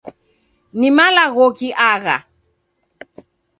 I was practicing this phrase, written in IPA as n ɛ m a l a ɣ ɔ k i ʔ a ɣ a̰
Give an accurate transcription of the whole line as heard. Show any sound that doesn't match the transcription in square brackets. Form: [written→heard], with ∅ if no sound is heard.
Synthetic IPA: n [ɛ→i] m a l a ɣ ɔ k i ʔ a ɣ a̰